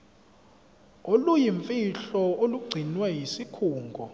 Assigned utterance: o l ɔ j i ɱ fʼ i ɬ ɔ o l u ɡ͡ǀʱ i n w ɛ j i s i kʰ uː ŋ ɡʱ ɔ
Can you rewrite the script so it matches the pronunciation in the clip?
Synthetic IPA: o l u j i ɱ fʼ i ɬ ɔ o l u ɡ͡ǀʱ i n w ɛ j i s i kʰ uː ŋ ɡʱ ɔ